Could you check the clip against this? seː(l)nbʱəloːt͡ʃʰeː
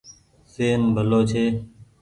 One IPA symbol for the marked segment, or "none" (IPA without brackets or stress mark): none